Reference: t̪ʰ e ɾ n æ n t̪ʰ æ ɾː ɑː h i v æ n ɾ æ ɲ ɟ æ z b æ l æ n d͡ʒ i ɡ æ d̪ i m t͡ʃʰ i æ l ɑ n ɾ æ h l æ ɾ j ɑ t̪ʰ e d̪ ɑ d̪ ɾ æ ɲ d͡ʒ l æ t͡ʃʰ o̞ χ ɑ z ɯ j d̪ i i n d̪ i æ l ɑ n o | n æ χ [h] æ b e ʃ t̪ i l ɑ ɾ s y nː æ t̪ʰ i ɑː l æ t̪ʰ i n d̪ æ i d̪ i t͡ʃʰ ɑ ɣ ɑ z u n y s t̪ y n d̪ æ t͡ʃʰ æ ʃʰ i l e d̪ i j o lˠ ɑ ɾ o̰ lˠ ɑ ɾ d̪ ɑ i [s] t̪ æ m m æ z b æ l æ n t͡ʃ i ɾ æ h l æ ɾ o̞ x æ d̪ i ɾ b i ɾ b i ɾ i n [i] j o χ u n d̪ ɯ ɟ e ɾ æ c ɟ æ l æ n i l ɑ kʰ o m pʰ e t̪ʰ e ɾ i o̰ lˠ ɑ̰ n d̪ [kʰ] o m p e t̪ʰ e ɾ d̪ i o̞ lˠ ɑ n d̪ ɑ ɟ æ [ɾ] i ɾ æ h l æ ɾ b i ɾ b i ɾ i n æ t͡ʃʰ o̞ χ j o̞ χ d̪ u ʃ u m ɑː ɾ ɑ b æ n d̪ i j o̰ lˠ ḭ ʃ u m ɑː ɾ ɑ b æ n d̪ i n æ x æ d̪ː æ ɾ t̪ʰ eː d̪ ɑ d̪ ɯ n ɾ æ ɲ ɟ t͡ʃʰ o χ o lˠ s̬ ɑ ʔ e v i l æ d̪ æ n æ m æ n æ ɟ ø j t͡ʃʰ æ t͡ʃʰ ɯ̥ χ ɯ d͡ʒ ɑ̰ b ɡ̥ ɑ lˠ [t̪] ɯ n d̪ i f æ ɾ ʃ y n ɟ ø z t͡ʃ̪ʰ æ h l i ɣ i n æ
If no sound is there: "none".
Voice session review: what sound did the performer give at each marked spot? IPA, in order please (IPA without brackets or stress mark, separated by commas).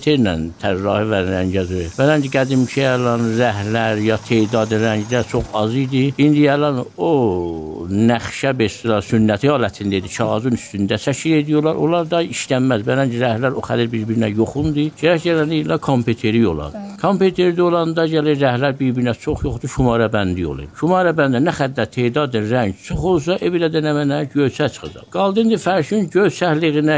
ʃ, ʃ, æ, kʰ, l, d̪